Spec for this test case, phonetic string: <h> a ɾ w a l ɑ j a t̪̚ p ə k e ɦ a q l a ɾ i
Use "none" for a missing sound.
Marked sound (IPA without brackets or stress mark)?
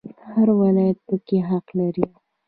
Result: h